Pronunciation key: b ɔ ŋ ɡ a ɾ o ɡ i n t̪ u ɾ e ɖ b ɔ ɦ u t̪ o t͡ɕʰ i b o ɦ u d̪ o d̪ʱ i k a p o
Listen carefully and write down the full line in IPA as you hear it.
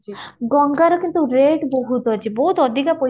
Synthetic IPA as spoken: ɡ ɔ ŋ ɡ a ɾ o k i n t̪ u ɾ e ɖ b o ɦ u t̪ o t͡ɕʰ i b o ɦ u t̪ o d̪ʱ i k a p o